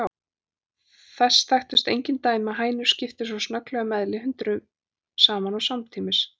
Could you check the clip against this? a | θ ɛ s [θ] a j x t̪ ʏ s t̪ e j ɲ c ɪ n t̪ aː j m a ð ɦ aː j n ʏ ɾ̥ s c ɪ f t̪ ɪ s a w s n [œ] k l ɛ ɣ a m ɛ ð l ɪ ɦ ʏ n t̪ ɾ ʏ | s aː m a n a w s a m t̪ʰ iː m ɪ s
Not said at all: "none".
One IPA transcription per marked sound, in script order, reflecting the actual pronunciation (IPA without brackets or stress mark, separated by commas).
θ, œ